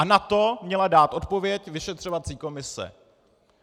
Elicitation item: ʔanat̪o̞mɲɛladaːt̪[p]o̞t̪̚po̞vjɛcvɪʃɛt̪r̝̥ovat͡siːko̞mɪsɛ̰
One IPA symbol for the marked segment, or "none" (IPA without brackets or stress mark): ʔ